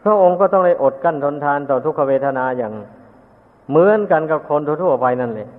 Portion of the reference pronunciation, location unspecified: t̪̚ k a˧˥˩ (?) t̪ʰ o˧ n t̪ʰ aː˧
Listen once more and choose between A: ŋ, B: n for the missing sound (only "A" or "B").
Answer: B